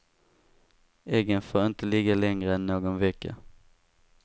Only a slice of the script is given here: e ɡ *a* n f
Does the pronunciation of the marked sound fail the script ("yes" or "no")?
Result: yes